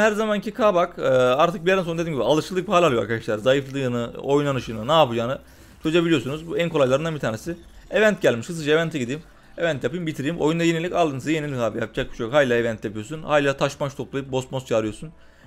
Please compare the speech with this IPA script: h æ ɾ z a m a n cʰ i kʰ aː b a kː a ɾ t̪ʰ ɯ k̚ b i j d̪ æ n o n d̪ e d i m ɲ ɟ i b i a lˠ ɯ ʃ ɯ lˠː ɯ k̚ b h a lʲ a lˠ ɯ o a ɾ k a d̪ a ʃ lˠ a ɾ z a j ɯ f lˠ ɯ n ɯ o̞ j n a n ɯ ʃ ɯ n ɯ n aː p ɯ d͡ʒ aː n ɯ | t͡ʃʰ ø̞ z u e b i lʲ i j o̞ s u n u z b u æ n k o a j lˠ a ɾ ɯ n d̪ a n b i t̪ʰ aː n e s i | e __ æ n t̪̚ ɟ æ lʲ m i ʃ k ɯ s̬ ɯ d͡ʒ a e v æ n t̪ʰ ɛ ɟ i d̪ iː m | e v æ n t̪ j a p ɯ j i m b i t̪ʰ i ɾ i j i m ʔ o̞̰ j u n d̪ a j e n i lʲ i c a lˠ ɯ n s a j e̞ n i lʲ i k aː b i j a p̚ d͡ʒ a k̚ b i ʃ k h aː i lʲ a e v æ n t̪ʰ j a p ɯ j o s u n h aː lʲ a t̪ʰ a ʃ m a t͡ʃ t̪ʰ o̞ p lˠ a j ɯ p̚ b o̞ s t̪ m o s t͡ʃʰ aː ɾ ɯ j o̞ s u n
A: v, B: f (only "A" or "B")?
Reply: A